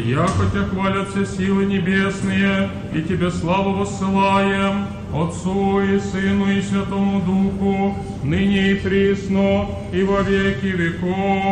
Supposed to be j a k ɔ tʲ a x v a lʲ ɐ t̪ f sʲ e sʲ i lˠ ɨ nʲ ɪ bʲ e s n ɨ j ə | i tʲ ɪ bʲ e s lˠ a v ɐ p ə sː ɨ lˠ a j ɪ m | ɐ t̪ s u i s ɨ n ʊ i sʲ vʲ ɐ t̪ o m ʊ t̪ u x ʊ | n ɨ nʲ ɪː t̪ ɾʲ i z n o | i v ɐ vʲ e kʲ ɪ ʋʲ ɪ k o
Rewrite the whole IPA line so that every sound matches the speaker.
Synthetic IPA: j a k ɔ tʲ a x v a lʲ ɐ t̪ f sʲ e sʲ i lˠ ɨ nʲ ɪ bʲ e s n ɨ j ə | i tʲ ɪ bʲ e s lˠ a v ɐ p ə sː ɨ lˠ a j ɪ m | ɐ t̪ s u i s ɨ n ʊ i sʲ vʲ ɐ t̪ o m ʊ d̪ u x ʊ | n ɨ nʲ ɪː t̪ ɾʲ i s n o | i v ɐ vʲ e kʲ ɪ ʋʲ ɪ k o